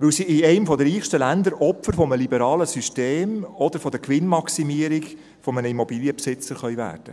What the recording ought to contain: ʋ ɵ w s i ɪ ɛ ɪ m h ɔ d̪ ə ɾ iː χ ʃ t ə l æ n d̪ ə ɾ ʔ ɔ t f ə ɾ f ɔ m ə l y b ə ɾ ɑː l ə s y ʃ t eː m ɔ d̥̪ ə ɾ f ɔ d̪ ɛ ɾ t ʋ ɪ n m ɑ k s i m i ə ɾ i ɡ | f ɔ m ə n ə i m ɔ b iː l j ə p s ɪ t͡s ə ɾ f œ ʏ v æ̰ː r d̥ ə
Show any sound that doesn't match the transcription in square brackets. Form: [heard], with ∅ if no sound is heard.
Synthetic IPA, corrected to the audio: ʋ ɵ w s i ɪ ɛ ɪ m [f] ɔ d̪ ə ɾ iː χ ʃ t ə l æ n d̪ ə ɾ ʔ ɔ [p] f ə ɾ f ɔ m ə l [i] b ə ɾ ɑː l ə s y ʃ t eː m ɔ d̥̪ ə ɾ f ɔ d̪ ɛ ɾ [k] ʋ ɪ n m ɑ k s i m i ə ɾ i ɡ | f ɔ m ə n ə i m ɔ b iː l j ə p s ɪ t͡s ə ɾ [χ] œ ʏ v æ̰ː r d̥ ə